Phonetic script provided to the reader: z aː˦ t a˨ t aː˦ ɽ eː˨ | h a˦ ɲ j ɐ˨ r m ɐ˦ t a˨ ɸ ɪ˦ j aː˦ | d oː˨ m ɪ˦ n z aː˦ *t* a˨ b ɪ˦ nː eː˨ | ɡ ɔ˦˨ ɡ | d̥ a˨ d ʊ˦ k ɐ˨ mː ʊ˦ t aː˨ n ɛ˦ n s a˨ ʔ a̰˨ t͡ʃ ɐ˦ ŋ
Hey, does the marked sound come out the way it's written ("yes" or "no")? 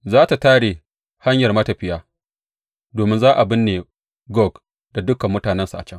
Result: no